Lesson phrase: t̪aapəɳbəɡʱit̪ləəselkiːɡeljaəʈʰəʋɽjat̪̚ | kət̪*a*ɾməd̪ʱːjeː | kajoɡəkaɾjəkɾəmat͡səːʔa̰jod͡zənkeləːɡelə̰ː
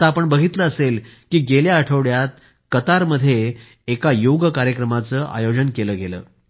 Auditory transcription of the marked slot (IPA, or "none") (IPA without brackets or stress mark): a